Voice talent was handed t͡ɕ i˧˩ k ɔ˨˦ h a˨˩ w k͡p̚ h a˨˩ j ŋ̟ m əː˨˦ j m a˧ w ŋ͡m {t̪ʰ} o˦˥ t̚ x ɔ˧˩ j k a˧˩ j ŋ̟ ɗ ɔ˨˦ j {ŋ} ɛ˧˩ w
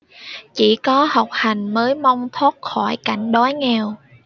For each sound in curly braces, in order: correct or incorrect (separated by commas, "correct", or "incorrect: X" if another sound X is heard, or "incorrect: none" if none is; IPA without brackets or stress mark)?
correct, correct